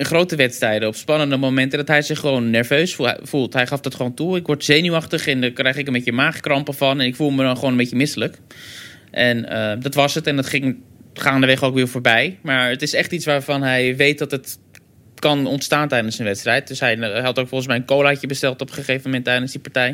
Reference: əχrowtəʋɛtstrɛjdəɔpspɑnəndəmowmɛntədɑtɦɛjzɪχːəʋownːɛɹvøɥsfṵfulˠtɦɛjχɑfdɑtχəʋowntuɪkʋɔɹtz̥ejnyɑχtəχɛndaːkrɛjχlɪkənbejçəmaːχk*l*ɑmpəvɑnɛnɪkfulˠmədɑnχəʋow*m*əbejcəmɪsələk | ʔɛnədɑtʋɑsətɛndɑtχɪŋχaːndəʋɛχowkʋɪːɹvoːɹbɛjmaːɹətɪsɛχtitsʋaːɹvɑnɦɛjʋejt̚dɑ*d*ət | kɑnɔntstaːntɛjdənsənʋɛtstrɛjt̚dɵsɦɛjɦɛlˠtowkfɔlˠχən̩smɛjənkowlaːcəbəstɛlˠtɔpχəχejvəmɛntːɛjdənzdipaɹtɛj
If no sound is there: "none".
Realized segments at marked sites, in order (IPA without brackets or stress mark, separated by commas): r, n, t